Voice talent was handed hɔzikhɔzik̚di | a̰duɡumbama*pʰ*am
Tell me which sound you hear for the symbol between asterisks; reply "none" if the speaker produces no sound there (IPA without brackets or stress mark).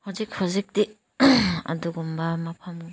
pʰ